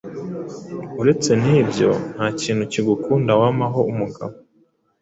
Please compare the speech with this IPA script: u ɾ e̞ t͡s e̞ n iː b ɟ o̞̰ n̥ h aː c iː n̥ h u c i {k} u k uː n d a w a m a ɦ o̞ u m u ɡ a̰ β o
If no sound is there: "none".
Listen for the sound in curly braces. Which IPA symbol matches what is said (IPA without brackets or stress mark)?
ɡ